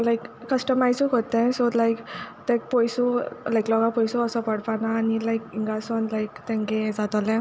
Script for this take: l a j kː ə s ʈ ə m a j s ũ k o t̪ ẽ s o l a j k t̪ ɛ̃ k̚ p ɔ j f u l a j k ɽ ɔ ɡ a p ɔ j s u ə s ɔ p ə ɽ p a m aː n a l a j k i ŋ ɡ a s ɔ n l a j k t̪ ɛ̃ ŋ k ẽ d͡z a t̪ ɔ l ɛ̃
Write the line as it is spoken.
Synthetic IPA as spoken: l a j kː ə s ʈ ə m a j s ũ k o t̪ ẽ s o l a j k t̪ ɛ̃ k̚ p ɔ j s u l a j k l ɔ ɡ a p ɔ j s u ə s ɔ p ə ɽ p a n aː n i l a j k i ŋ ɡ a s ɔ n l a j k t̪ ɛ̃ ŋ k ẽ d͡z a t̪ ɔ l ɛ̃